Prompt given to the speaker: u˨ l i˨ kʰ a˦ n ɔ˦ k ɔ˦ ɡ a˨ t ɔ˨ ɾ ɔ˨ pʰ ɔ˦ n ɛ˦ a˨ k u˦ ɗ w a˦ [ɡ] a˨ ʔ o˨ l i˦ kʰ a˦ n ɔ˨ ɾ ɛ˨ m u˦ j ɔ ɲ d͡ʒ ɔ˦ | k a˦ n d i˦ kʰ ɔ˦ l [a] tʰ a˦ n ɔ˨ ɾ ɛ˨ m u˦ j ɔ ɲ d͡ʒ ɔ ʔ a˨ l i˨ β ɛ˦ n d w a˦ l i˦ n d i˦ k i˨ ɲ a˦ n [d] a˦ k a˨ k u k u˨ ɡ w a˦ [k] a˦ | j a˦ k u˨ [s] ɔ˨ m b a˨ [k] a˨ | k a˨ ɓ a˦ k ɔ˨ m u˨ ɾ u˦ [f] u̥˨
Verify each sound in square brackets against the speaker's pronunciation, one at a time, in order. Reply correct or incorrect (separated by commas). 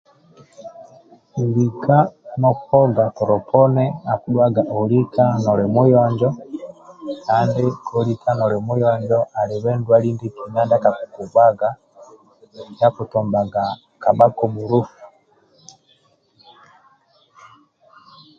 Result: correct, incorrect, correct, incorrect, incorrect, incorrect, correct